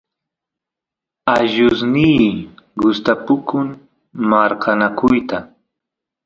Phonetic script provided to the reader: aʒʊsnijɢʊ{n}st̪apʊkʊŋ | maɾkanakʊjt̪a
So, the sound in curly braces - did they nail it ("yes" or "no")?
no